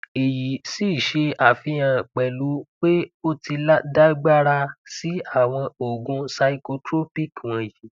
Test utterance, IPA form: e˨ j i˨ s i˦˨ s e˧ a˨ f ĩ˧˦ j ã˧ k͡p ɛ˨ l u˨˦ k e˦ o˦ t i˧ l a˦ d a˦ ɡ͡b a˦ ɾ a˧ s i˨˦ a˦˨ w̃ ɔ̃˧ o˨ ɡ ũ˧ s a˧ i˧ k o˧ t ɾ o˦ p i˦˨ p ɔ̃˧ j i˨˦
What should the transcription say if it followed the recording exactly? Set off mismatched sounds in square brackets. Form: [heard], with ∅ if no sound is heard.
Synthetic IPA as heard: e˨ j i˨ s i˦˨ [ʃ] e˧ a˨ f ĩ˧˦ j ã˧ k͡p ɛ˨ l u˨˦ [k͡p] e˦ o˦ t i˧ l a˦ d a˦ ɡ͡b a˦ ɾ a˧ s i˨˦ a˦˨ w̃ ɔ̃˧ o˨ ɡ ũ˧ s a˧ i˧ k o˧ t ɾ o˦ p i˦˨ [k] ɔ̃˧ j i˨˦